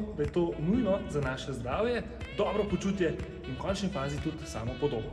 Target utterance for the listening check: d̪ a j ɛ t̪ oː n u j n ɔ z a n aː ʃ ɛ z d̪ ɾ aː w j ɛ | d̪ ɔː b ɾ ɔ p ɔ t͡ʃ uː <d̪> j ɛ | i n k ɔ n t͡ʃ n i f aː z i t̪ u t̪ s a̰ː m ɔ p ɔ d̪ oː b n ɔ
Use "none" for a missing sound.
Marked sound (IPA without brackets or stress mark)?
t̪